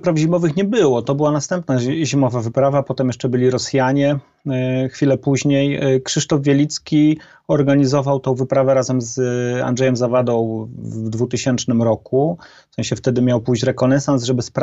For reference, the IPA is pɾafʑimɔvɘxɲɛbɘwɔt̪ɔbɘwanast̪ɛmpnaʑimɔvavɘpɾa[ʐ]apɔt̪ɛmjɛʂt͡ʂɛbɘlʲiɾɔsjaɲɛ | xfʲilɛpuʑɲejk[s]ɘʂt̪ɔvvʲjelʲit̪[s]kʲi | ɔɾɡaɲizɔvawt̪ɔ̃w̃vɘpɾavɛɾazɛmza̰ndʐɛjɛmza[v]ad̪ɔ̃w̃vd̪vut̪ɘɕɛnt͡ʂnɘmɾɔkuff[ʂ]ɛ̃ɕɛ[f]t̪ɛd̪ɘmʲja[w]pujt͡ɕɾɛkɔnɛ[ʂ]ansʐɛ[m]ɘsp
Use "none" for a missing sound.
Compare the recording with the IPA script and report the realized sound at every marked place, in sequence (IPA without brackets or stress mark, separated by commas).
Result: v, ʂ, s, v, s, f, w, s, b